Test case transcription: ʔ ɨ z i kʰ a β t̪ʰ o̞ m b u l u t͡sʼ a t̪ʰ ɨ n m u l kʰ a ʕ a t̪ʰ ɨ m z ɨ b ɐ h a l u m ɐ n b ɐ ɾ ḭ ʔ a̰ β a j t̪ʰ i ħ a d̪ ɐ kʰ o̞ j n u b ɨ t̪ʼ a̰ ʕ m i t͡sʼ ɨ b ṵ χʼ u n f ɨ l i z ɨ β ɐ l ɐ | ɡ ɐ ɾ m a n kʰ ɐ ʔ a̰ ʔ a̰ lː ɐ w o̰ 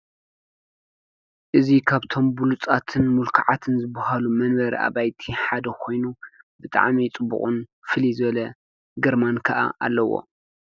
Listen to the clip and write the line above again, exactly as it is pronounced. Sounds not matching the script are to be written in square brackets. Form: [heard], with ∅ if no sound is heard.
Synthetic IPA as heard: ʔ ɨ z i kʰ a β t̪ʰ o̞ m b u l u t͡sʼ a t̪ʰ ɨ n m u l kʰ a ʕ a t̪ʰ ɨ [n] z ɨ b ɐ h a l u m ɐ n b ɐ ɾ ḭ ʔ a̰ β a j t̪ʰ i ħ a d̪ ɐ kʰ o̞ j n u b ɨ t̪ʼ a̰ ʕ m i t͡sʼ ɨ b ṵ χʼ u n f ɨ l i z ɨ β ɐ l ɐ | ɡ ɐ ɾ m a n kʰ ɐ ʔ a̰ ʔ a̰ lː ɐ w o̰